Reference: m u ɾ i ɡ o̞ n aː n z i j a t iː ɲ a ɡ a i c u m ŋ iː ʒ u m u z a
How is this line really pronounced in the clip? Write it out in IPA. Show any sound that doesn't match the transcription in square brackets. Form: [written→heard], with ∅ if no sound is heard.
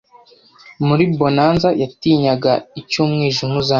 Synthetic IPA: m u ɾ i [ɡ→b] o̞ n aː n z [i→a] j a t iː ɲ a ɡ a i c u m ŋ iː ʒ u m u z a

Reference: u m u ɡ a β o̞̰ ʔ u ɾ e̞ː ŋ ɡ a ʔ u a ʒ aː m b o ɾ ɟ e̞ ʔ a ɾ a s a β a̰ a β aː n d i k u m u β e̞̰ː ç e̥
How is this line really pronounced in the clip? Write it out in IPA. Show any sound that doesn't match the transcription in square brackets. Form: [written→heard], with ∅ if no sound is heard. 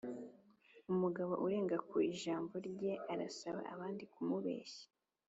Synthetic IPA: u m u ɡ a β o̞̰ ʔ u ɾ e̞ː ŋ ɡ a [ʔ→k] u [a→i] ʒ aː m b o ɾ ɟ e̞ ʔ a ɾ a s a β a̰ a β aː n d i k u m u β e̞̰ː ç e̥

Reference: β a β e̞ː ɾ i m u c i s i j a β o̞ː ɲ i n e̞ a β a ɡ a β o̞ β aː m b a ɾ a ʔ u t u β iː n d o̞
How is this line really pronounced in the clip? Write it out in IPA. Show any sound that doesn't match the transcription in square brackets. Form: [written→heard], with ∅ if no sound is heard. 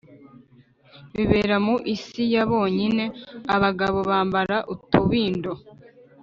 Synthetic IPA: β [a→i] β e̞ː ɾ [i→a] m u [c→ʔ] i s i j a β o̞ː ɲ i n e̞ a β a ɡ a β o̞ β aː m b a ɾ a ʔ u t u β iː n d o̞

